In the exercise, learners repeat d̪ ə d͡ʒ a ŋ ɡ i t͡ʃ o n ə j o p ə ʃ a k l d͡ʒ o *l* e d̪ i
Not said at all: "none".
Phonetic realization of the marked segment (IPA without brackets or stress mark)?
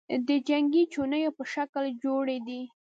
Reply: ɽ